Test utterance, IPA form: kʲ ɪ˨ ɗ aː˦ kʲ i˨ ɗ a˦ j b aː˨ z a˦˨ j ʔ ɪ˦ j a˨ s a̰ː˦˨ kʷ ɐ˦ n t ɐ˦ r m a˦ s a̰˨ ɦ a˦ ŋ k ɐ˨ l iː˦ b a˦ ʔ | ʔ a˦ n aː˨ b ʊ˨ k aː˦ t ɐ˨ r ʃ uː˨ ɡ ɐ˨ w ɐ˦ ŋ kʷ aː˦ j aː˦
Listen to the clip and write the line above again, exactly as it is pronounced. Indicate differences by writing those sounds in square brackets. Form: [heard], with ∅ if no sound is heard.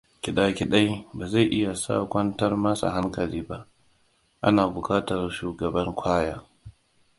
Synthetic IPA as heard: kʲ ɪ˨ ɗ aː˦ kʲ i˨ ɗ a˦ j b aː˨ z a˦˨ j ʔ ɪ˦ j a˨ s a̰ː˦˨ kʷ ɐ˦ n t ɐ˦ r m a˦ s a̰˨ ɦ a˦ ŋ k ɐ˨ l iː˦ b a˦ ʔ | ʔ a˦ n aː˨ b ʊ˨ k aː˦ t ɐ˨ r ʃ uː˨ ɡ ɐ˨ [b] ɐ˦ ŋ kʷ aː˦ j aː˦